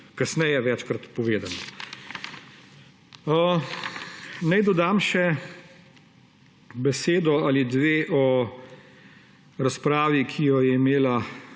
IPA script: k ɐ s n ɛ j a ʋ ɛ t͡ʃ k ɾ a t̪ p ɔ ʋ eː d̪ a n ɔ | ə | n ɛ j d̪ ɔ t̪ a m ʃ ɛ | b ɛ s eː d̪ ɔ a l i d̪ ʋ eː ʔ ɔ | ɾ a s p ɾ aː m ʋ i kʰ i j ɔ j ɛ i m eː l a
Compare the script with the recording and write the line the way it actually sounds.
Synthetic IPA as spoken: k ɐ s n ɛ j ɛ ʋ ɛ t͡ʃ k ɾ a t̪ p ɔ ʋ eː d̪ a n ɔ | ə | n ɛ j d̪ ɔ d̪ a m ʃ ɛ | b ɛ s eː d̪ ɔ a l i d̪ ʋ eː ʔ ɔ | ɾ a s p ɾ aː ʋ i kʰ i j ɔ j ɛ i m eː l a